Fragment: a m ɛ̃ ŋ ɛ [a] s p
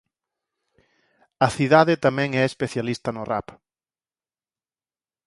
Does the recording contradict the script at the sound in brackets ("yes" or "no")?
yes